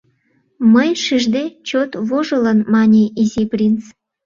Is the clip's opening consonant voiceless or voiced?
voiced